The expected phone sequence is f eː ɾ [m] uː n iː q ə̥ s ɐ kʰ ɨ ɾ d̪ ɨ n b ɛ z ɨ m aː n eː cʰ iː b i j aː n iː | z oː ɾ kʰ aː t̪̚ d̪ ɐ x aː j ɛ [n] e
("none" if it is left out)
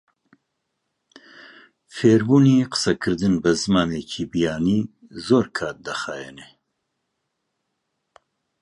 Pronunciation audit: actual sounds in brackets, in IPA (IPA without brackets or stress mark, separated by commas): b, n